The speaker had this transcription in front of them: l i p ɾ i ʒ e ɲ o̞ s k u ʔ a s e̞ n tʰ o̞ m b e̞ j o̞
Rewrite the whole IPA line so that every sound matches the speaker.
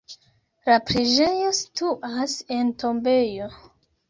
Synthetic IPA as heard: l a p ɾ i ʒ e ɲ o̞ s t u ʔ a s e̞ n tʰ o̞ m b e̞ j o̞